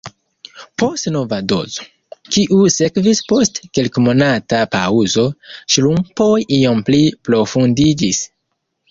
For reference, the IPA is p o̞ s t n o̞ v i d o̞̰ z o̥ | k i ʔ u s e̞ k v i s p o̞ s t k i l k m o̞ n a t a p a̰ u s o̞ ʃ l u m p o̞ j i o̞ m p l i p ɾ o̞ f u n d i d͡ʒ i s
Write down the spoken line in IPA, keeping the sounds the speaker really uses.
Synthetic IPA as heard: p o̞ s t n o̞ v a d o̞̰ z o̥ | k i ʔ u s e̞ k v i s p o̞ s t k e l k m o̞ n a t a p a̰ u z o̞ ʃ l u m p o̞ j i o̞ m p l i p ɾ o̞ f u n d i d͡ʒ i s